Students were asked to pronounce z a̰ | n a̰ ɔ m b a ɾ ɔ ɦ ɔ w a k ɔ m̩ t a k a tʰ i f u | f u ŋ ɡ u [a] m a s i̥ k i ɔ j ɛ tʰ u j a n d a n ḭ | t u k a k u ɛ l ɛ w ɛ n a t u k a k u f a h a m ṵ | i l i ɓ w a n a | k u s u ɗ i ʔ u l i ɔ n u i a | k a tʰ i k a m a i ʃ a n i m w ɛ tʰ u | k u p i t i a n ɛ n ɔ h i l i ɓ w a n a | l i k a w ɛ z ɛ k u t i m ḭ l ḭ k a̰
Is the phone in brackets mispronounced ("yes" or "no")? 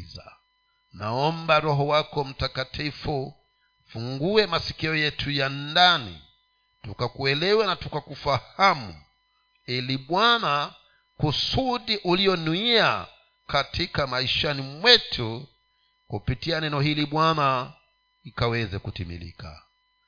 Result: yes